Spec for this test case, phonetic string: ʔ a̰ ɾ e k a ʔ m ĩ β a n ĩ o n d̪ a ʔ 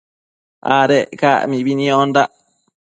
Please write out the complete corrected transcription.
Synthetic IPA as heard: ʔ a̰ ɾ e k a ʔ m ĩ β i n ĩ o n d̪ a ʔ